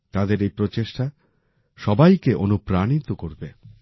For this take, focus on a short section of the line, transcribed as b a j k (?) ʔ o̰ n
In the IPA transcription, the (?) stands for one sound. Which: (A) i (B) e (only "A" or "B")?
B